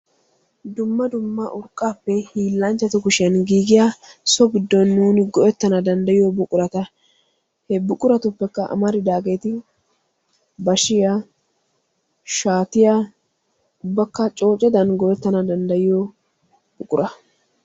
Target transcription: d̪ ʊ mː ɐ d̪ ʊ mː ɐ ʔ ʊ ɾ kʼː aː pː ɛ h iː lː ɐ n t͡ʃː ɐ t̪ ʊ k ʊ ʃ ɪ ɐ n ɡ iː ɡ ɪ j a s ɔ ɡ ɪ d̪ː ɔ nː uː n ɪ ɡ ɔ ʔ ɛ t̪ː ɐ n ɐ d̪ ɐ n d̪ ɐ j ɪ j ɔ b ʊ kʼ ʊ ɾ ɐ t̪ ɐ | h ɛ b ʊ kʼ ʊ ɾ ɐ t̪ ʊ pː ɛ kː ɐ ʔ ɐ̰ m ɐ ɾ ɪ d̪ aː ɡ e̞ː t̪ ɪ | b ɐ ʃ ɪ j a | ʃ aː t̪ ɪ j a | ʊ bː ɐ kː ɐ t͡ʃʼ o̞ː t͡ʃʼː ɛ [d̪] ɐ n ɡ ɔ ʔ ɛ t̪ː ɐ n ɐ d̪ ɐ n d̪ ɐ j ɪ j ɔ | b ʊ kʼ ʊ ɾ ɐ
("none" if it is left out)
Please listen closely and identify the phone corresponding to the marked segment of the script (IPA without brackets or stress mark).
d̪